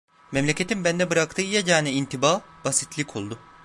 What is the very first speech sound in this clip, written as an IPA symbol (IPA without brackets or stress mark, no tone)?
m